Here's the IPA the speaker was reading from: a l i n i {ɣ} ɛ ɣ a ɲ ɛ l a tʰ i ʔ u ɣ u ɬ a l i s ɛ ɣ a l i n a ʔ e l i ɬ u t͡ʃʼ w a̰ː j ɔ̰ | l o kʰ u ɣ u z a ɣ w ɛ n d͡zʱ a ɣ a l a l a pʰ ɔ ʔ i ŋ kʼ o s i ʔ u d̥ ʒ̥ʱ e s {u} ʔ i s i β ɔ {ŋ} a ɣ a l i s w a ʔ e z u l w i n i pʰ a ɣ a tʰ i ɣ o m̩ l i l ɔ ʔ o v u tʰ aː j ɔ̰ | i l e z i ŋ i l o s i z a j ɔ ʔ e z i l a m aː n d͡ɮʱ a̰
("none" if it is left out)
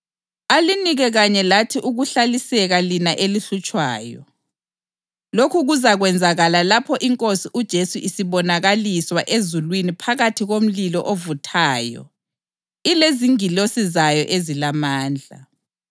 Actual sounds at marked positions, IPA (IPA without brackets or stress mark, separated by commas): ɣ, u, n